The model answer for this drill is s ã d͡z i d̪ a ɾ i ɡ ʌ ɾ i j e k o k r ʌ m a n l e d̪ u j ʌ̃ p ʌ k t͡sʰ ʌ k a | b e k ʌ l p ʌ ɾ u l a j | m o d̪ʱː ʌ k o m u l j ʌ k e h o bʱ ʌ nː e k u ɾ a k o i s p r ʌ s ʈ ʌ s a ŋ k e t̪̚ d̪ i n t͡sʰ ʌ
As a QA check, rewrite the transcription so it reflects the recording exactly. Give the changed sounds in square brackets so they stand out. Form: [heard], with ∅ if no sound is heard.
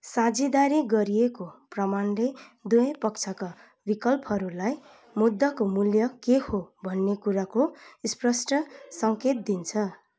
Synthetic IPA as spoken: s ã d͡z i d̪ a ɾ i ɡ ʌ ɾ i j e k o [p] r ʌ m a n l e d̪ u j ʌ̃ p ʌ k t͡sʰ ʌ k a | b [i] k ʌ l p ʌ ɾ u l a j | m [u] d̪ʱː ʌ k o m u l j ʌ k e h o bʱ ʌ nː e k u ɾ a k o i s p r ʌ s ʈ ʌ s [ʌ] ŋ k e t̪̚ d̪ i n t͡sʰ ʌ